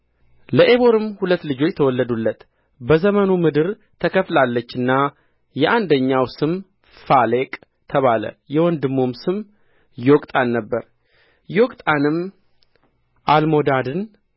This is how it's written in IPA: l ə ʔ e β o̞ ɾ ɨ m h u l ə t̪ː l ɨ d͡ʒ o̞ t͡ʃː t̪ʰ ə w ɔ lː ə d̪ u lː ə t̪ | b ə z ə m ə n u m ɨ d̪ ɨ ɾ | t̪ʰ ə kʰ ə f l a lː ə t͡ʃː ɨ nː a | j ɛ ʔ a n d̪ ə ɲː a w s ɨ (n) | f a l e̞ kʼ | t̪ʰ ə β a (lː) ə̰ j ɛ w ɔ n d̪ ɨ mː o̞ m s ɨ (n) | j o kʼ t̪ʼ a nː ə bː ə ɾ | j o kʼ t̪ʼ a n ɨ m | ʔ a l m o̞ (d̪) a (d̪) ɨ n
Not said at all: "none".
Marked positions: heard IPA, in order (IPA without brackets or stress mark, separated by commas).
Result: m, l, m, d̪, d̪